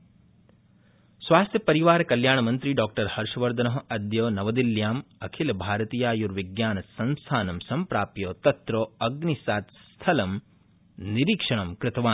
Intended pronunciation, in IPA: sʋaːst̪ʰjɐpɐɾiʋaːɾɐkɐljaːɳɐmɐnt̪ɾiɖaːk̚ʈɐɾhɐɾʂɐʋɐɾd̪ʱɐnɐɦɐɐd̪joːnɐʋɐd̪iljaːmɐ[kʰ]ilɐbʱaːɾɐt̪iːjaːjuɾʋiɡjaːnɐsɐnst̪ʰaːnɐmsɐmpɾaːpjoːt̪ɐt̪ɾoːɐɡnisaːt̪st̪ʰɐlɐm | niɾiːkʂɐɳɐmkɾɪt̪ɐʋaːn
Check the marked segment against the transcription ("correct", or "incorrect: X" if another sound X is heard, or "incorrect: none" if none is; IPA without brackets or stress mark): correct